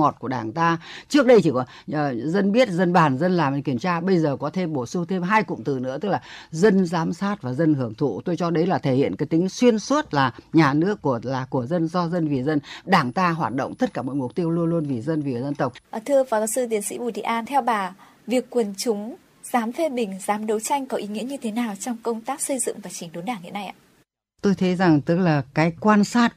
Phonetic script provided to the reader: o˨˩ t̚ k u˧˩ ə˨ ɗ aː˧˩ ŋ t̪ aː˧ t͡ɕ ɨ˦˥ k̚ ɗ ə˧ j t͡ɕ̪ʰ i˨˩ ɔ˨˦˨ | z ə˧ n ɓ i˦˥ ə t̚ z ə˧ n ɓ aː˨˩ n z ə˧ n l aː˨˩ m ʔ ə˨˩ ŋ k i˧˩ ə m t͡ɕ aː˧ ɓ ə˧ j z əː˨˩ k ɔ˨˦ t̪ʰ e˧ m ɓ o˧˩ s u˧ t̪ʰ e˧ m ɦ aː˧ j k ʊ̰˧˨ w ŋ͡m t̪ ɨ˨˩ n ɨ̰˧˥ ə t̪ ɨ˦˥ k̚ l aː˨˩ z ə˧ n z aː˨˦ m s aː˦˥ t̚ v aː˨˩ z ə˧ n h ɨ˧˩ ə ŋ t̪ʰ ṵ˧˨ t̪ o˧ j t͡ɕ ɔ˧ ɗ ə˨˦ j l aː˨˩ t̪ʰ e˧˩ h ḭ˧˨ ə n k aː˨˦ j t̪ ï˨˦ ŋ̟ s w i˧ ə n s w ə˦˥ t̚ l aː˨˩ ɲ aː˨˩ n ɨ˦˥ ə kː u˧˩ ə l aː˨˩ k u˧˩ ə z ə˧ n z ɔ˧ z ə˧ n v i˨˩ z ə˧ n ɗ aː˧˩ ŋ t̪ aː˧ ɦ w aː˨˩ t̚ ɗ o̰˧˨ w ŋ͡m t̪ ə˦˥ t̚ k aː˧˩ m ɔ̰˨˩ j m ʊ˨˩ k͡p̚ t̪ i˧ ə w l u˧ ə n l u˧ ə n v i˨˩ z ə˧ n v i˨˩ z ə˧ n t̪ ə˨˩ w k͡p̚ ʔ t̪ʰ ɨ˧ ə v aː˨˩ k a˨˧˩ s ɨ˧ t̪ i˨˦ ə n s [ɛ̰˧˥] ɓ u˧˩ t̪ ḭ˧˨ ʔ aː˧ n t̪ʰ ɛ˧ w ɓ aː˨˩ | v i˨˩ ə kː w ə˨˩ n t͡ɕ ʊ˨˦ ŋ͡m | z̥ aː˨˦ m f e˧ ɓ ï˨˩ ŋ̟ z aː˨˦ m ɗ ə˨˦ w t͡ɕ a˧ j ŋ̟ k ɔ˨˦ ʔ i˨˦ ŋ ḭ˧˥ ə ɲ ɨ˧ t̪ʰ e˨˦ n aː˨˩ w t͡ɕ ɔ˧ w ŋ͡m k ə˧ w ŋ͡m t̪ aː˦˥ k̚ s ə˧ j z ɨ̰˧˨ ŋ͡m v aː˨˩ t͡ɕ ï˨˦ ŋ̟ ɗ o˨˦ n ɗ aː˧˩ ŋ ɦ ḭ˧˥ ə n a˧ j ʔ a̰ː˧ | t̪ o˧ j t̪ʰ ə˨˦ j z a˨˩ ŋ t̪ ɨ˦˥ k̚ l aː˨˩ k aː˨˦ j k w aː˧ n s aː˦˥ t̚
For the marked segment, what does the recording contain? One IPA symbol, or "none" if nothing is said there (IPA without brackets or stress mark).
ḭ˧˥